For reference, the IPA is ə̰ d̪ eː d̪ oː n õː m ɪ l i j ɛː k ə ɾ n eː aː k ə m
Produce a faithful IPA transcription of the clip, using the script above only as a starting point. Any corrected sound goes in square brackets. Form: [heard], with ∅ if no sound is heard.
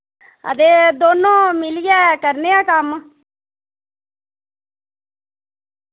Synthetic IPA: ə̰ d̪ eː d̪ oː n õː m ɪ l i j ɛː k ə ɾ n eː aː k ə m